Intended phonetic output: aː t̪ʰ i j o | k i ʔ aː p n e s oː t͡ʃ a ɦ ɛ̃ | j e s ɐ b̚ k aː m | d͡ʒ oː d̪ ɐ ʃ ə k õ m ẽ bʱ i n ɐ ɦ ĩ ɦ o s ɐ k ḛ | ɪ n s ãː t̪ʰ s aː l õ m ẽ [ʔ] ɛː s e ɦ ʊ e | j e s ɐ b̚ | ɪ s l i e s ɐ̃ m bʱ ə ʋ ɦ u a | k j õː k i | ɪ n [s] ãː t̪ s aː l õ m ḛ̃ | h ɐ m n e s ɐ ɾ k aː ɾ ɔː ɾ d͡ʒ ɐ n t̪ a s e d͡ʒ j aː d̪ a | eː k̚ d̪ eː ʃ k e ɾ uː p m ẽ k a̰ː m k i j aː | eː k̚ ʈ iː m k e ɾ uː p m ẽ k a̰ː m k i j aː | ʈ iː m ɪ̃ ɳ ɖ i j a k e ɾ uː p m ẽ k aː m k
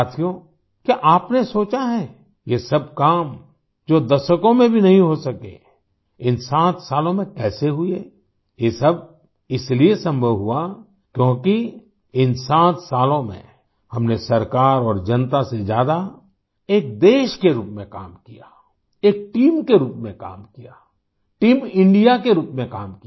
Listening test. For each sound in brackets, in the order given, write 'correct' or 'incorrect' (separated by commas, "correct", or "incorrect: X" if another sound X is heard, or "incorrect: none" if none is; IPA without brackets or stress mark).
incorrect: k, correct